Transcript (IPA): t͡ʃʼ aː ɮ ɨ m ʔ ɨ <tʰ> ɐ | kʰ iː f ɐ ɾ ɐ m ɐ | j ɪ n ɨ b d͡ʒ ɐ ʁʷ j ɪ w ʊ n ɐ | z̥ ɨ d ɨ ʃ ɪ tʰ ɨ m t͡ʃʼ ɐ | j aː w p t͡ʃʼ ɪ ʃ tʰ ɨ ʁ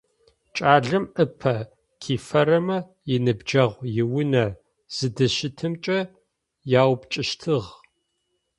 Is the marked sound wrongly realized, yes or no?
yes